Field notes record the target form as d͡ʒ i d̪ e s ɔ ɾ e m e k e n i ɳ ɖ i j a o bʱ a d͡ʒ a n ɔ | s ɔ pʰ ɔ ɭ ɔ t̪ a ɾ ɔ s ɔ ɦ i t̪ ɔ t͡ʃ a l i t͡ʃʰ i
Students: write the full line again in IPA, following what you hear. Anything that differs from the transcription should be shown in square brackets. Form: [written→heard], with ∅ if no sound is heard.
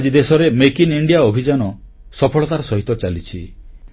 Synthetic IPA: d͡ʒ i d̪ e s ɔ ɾ e m e k [e→i] n i ɳ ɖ i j a o bʱ [a→i] d͡ʒ a n ɔ | s ɔ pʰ ɔ ɭ ɔ t̪ a ɾ ɔ s ɔ ɦ i t̪ ɔ t͡ʃ a l i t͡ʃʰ i